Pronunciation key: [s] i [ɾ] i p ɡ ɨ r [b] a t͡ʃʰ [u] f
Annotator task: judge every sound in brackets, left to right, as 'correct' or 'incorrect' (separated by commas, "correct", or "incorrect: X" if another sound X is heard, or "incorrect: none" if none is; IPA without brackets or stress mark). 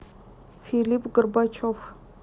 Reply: incorrect: f, incorrect: l, correct, incorrect: o